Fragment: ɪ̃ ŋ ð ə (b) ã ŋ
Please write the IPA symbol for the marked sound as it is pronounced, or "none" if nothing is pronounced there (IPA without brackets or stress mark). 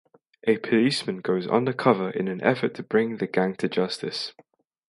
ɡ